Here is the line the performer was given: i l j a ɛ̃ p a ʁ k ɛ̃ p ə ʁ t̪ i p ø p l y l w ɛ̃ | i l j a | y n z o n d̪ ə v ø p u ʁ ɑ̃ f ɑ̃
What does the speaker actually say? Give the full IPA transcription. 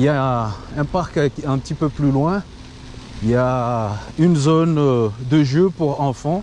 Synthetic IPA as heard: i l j a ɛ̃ p a ʁ k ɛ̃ p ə t̪ i p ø p l y l w ɛ̃ | i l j a | y n z o n d̪ ə ʒ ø p u ʁ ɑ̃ f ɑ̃